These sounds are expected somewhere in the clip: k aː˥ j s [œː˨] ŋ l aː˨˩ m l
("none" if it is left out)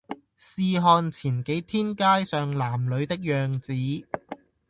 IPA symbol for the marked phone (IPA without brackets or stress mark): œː˨